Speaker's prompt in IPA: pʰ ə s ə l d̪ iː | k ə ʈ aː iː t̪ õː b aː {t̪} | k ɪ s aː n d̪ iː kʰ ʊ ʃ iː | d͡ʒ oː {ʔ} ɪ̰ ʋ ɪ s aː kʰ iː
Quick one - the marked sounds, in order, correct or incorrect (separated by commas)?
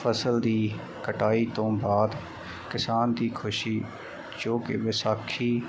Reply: incorrect, incorrect